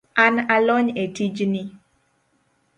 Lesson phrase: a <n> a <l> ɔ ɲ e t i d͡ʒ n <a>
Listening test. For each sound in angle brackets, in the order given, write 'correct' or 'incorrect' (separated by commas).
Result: correct, correct, incorrect